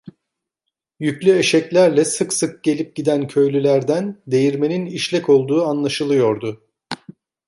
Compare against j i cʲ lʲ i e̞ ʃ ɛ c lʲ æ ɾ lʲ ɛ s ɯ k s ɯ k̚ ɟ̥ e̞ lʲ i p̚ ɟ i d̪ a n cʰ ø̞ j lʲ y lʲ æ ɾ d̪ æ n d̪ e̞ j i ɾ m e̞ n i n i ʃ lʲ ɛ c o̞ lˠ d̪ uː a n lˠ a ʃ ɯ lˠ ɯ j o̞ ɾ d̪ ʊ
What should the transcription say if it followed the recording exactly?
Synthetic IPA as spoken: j y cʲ lʲ y e̞ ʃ ɛ c lʲ æ ɾ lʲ ɛ s ɯ k s ɯ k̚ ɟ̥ e̞ lʲ i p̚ ɟ i d̪ æ n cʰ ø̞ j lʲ y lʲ æ ɾ d̪ æ n d̪ e̞ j i ɾ m e̞ n i n i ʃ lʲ ɛ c o̞ lˠ d̪ uː a n lˠ a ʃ ɯ lˠ ɯ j o̞ ɾ d̪ ʊ